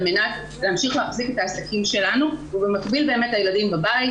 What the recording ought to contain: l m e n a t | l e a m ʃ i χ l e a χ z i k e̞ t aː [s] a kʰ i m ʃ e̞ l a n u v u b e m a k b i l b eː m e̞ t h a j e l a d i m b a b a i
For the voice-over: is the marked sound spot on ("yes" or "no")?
yes